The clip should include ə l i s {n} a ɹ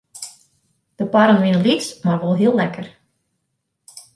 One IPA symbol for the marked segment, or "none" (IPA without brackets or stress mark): m